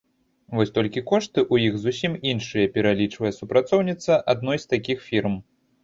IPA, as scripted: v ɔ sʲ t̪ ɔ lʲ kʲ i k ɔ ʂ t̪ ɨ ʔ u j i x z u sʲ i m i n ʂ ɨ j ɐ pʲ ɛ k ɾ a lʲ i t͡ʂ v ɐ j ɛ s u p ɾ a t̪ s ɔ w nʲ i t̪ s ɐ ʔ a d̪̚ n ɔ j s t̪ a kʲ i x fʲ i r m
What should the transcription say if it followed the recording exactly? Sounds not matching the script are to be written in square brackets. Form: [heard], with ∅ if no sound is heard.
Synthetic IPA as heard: v ɔ sʲ t̪ ɔ lʲ kʲ i k ɔ ʂ t̪ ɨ ʔ u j i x z u sʲ i m i n ʂ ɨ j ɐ pʲ ɛ [∅] ɾ a lʲ i t͡ʂ v ɐ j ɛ s u p ɾ a t̪ s ɔ w nʲ i t̪ s ɐ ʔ a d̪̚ n ɔ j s t̪ a kʲ i x fʲ i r m